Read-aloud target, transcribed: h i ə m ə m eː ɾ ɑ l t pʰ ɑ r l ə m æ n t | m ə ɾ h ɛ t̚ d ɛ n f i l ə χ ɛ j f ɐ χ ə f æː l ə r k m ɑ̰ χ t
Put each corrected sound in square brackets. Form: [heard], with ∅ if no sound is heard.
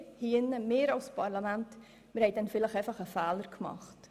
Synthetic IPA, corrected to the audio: h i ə [n] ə m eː ɾ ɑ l [s] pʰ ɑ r l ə m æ n t | m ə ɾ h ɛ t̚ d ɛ n f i l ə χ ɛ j f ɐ χ ə f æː l ə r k m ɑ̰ χ t